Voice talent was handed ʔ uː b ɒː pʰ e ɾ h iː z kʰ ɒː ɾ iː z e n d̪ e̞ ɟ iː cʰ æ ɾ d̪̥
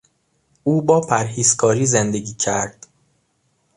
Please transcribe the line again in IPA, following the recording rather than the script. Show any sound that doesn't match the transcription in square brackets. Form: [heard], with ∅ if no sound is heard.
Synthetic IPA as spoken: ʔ uː b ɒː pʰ [æ] ɾ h iː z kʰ ɒː ɾ iː z e n d̪ e̞ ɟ iː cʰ æ ɾ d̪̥